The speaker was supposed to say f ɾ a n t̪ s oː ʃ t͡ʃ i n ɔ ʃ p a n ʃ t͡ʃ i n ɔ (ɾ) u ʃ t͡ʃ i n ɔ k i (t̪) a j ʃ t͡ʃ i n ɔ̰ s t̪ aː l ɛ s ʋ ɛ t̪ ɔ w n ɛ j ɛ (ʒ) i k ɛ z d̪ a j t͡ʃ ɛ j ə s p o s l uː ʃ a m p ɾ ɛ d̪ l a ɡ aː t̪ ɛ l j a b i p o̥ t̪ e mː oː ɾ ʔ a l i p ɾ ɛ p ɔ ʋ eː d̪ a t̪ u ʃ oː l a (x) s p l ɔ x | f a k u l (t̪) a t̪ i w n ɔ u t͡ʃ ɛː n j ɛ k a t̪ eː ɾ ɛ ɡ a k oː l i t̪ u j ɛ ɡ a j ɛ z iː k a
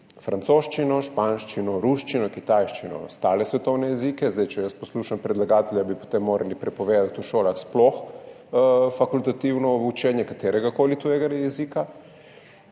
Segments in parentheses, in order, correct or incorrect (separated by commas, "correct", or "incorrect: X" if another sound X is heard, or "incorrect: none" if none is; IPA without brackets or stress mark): correct, correct, incorrect: z, correct, correct